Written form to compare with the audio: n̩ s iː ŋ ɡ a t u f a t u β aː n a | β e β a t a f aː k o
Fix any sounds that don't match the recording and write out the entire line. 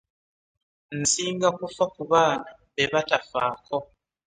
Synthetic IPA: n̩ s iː ŋ ɡ a k u f a k u β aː n a | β e β a t a f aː k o